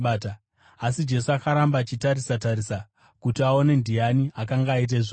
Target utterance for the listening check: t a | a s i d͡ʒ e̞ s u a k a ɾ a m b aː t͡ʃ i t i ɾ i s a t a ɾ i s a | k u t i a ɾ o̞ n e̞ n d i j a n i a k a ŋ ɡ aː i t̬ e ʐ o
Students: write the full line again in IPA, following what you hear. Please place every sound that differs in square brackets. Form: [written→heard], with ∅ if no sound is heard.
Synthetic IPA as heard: t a | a s i d͡ʒ e̞ s u a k a ɾ a m b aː t͡ʃ i t [i→a] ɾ i s a t a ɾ i s a | k u t i a [ɾ→∅] o̞ n e̞ n d i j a n i a k a ŋ ɡ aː i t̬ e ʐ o